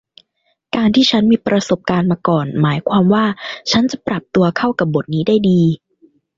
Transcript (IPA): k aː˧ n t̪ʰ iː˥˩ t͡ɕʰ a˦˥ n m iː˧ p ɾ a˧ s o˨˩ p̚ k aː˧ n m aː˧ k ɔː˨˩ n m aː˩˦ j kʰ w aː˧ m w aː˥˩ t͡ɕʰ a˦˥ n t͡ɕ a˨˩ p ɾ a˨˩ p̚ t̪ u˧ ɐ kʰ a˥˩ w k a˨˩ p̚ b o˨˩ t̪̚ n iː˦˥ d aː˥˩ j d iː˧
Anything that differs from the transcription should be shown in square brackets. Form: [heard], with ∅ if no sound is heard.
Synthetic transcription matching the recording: k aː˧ n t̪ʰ iː˥˩ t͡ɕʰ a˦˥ n m iː˧ p ɾ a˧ s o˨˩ p̚ k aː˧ n m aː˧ k ɔː˨˩ n m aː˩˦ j kʰ w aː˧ m w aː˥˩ t͡ɕʰ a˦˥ n t͡ɕ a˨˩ p ɾ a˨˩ p̚ t̪ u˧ ɐ kʰ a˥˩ w k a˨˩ p̚ b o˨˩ t̪̚ n iː˦˥ d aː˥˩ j d iː˧